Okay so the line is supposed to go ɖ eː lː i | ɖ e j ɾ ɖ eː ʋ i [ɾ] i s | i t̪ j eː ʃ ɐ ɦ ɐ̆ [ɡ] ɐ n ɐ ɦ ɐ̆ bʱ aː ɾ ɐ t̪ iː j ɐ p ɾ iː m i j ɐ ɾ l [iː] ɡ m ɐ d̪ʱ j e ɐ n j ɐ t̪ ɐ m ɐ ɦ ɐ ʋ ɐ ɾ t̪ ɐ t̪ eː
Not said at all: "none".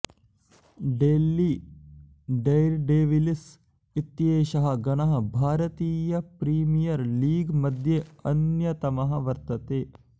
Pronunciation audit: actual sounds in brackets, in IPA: l, ɡ, iː

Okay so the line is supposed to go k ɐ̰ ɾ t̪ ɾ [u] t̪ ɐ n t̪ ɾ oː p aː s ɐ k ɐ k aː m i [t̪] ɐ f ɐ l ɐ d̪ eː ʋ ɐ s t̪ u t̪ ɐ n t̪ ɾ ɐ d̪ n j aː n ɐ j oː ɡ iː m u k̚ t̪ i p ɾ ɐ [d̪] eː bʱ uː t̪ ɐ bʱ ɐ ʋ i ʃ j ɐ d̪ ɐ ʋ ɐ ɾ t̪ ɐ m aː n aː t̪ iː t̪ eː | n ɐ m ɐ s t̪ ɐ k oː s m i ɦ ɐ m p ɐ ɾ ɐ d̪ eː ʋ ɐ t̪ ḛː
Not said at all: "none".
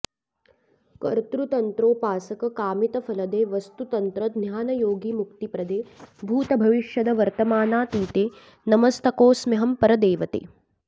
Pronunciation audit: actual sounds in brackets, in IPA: u, t̪, d̪

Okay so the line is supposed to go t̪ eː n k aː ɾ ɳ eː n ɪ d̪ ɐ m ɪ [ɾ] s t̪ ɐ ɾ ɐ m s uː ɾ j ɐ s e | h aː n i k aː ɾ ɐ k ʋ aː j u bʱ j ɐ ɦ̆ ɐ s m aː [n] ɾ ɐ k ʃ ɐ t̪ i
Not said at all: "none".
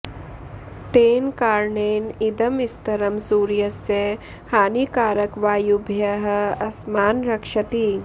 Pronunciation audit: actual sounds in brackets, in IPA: none, n

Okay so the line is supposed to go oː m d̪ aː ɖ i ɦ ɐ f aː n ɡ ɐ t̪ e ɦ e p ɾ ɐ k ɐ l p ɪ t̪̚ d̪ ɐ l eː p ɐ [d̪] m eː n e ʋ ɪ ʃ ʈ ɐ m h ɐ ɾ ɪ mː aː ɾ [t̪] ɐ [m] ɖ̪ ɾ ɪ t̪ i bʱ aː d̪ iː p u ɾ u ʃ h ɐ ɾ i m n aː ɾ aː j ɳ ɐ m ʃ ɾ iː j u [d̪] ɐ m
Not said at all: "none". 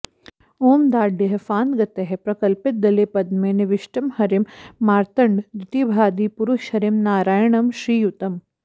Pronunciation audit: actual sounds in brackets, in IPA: d̪, t̪, ɳ, t̪

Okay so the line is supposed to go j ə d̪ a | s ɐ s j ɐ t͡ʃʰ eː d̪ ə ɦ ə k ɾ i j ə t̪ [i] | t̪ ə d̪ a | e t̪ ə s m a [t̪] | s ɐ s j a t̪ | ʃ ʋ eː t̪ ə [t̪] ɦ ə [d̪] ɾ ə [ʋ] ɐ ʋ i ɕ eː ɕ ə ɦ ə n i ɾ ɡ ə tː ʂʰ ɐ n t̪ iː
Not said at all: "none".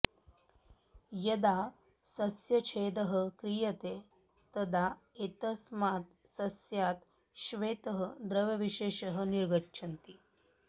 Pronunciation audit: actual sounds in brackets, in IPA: e, t̪, none, d̪, ʋ

